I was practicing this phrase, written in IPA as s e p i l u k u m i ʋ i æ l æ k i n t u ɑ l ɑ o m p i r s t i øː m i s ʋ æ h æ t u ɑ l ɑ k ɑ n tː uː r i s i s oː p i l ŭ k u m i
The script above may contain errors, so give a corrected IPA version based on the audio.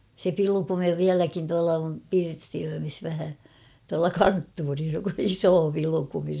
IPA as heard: s e p i l u k u m i ʋ i æ l æ k i n t u ɑ l ɑ o m p i r s t i øː m i s ʋ æ h æ t u ɑ l ɑ k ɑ n tː uː r i s i s oː p i l ŭ k u m i